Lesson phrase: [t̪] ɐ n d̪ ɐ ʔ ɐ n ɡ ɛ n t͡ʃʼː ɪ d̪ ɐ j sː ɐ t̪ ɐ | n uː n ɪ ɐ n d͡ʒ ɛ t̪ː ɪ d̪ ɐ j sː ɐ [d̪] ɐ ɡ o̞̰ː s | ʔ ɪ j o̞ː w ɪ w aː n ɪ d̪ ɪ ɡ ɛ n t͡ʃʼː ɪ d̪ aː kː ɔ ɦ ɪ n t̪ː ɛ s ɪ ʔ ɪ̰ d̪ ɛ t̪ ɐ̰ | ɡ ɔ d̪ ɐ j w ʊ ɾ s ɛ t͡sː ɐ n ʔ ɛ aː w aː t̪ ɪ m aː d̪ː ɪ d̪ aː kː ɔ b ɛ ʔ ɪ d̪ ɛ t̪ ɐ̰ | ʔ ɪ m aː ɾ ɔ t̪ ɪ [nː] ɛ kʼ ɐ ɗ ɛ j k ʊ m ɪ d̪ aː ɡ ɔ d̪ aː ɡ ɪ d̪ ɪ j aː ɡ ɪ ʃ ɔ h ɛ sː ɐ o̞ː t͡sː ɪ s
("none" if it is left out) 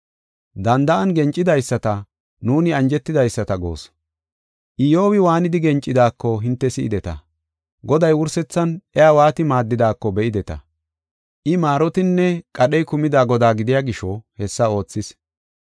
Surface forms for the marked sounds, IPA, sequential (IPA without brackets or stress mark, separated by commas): d̪, t̪, nː